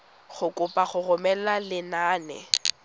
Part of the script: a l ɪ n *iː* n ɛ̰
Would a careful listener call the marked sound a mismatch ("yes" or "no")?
yes